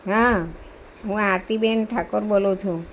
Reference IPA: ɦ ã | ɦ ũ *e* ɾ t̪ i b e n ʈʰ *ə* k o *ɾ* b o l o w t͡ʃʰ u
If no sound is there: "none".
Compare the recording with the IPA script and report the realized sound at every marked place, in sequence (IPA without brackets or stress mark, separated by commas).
a, a, ɾ